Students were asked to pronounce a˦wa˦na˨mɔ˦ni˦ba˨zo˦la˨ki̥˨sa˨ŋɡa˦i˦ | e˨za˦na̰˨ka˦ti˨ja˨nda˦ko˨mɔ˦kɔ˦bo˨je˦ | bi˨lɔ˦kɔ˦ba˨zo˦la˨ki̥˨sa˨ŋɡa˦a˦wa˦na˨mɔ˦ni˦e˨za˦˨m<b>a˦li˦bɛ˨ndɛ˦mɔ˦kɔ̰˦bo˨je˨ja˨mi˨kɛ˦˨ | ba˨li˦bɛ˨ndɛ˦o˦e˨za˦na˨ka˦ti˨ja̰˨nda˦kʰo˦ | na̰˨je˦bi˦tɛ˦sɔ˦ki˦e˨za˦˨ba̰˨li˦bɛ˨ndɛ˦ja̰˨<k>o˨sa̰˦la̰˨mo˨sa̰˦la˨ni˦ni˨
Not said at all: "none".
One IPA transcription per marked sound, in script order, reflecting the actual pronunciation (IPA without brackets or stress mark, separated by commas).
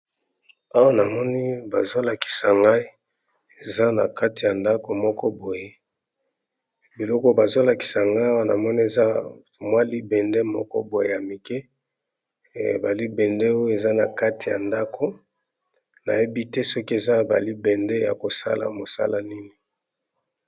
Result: w, k